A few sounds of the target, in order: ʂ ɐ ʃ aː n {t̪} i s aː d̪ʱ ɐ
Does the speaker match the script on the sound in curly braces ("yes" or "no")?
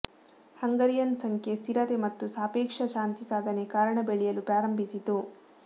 yes